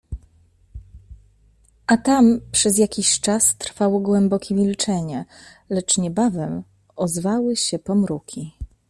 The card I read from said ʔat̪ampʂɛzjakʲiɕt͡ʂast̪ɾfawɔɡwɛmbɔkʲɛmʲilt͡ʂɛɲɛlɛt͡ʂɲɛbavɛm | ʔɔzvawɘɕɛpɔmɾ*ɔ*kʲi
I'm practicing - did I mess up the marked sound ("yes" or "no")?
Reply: yes